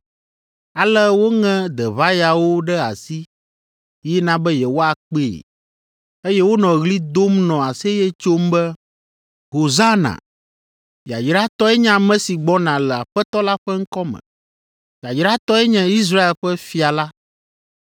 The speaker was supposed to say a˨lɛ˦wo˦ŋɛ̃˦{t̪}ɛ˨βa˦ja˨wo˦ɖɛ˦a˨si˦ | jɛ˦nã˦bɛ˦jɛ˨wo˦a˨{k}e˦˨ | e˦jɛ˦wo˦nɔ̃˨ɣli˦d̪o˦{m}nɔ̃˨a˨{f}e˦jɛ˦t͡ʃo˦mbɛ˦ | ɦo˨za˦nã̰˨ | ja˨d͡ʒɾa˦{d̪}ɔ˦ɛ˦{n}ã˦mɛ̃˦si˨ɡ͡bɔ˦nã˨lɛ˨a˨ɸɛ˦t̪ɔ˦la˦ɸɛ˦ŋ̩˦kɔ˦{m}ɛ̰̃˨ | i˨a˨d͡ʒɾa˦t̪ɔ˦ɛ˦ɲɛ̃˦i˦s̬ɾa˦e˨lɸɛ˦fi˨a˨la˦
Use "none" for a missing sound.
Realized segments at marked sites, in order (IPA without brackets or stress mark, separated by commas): d̪, k͡p, m, s, t̪, ɲ, m